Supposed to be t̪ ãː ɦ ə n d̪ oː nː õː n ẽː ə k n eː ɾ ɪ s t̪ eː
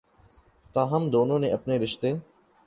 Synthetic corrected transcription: t̪ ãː ɦ ə m d̪ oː n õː n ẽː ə p n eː ɾ ɪ ʃ t̪ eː